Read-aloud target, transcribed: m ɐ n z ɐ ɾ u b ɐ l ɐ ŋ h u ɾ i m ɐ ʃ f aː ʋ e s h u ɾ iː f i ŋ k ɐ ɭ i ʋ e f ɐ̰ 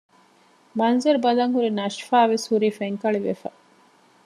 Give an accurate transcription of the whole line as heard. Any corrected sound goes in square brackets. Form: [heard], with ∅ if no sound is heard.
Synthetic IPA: m ɐ n z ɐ ɾ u b ɐ l ɐ ŋ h u ɾ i [n] ɐ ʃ f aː ʋ e s h u ɾ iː f [e] ŋ k ɐ ɭ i ʋ e f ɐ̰